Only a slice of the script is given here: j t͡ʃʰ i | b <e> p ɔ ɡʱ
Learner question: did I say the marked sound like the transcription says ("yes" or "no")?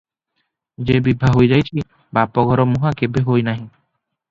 no